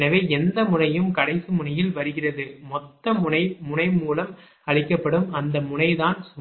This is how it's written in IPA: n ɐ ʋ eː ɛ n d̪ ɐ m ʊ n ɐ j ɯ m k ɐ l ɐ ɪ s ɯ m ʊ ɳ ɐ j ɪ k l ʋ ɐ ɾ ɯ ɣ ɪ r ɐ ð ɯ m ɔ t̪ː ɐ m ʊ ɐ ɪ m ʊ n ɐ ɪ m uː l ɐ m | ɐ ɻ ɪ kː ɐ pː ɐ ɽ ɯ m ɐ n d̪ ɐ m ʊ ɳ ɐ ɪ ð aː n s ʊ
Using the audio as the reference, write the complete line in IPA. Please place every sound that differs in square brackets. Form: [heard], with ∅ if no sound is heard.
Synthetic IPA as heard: n ɐ ʋ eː ɛ n d̪ ɐ m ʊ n ɐ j ɯ m k ɐ [ɽ] ɐ ɪ s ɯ m ʊ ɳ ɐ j ɪ [∅] l ʋ ɐ ɾ ɯ ɣ ɪ r ɐ ð ɯ m ɔ t̪ː ɐ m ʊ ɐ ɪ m ʊ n ɐ ɪ m uː l ɐ m | ɐ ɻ ɪ kː ɐ pː ɐ ɽ ɯ m ɐ n d̪ ɐ m ʊ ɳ ɐ ɪ ð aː n s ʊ